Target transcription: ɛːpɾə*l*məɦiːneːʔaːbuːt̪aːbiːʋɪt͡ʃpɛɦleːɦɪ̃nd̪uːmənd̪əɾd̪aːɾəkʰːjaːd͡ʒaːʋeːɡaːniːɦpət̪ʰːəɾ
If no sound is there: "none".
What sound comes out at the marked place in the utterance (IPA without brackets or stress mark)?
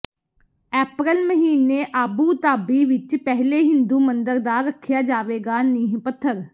l